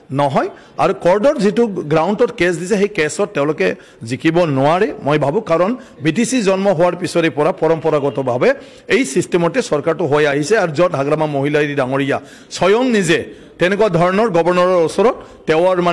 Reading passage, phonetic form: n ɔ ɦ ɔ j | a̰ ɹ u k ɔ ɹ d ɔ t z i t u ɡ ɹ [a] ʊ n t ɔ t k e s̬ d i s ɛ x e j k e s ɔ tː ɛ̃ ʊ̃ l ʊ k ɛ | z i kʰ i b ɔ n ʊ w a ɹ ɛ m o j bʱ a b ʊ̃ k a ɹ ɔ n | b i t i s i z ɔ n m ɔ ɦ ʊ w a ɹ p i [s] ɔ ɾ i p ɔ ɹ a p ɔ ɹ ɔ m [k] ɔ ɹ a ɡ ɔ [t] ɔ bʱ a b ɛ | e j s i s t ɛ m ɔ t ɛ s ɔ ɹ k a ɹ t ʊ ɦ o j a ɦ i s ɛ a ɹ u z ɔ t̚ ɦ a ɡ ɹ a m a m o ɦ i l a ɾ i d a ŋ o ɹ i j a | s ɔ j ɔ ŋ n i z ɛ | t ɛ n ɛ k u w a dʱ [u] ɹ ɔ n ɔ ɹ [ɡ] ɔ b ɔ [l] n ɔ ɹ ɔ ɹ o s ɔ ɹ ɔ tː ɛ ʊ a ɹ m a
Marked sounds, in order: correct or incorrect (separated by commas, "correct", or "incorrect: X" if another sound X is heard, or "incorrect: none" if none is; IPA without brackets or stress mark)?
correct, correct, incorrect: p, correct, incorrect: ɔ, correct, incorrect: ɹ